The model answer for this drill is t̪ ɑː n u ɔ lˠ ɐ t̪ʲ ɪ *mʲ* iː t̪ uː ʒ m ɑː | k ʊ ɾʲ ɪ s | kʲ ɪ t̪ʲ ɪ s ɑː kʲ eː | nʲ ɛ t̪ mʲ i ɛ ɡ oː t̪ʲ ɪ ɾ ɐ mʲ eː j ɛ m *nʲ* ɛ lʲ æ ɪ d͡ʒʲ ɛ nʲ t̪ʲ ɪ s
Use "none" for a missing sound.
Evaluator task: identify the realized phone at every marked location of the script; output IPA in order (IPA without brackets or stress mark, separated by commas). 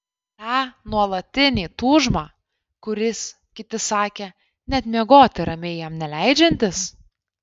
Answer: nʲ, nʲ